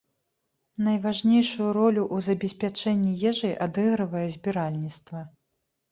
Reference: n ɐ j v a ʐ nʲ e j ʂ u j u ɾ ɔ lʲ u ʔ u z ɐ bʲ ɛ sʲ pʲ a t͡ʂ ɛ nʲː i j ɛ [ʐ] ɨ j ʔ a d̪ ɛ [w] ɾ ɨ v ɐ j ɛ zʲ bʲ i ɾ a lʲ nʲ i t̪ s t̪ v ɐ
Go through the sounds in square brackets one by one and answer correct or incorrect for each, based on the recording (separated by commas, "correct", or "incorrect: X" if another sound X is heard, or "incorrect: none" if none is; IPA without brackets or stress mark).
correct, incorrect: ɣ